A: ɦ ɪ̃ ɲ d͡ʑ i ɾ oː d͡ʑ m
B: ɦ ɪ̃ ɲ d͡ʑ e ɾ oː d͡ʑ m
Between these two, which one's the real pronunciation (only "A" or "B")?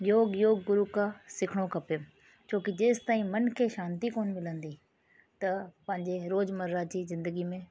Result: B